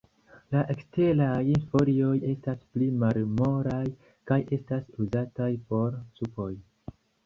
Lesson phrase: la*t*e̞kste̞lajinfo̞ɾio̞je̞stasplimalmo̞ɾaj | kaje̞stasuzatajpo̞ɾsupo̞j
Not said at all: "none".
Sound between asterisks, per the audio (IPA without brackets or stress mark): ʔ